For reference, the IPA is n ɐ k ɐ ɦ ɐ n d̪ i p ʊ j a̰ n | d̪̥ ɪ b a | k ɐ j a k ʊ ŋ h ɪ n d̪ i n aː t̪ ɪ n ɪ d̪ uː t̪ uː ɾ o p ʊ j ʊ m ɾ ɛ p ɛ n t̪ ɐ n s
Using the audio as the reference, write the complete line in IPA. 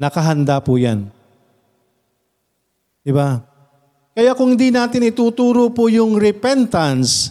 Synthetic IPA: n ɐ k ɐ ɦ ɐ n d̪ a p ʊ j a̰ n | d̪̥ ɪ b a | k ɐ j a k ʊ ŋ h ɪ n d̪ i n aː t̪ ɪ n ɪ t̪ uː t̪ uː ɾ o p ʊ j ʊ ŋ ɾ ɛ p ɛ n t̪ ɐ n s